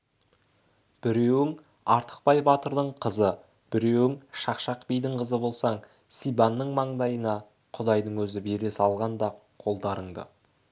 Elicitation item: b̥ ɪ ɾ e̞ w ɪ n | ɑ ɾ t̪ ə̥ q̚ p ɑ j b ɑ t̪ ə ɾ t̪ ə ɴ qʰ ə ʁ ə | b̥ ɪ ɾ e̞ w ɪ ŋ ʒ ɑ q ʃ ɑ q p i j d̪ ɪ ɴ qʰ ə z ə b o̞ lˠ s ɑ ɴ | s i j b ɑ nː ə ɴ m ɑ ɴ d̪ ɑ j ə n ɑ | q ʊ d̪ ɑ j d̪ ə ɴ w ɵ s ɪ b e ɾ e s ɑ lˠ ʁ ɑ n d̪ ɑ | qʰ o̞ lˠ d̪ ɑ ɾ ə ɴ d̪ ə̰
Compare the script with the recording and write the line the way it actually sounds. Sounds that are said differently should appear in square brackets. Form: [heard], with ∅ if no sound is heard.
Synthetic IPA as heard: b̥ ɪ ɾ e̞ w ɪ [ŋ] | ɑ ɾ t̪ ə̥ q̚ p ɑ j b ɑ t̪ ə ɾ [d̪] ə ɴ qʰ ə [z] ə | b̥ ɪ ɾ e̞ w ɪ ŋ [ʃ] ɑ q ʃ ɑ q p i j d̪ ɪ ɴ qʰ ə z ə b o̞ lˠ s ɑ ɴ | s i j b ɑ nː ə ɴ m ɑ ɴ d̪ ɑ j ə n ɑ | [qʰ] ʊ d̪ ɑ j d̪ ə ɴ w ɵ [z] ɪ b e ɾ e s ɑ lˠ ʁ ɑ n d̪ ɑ | qʰ o̞ lˠ d̪ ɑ ɾ ə ɴ d̪ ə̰